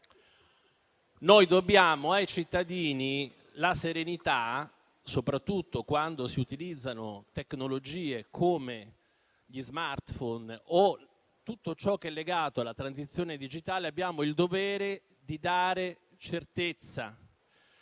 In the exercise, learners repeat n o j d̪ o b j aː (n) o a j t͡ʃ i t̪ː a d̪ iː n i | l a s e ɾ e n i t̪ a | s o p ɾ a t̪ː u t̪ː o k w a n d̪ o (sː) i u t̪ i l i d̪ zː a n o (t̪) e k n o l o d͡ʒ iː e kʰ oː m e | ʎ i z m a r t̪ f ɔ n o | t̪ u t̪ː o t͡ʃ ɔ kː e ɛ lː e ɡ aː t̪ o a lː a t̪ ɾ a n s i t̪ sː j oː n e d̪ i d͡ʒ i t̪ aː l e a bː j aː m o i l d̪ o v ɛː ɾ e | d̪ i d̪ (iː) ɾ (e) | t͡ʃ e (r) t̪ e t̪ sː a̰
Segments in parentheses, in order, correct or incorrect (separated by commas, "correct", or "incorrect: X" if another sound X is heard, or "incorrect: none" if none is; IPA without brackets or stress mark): incorrect: m, incorrect: s, correct, incorrect: aː, correct, correct